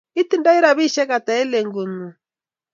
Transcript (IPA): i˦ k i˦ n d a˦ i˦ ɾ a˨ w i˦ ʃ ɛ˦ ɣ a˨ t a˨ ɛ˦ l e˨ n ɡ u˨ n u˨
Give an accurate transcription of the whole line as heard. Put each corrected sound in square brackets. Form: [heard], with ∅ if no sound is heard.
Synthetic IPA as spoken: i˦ [t] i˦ n d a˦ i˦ ɾ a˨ [β] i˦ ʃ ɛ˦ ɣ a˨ t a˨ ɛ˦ l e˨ [ŋ] ɡ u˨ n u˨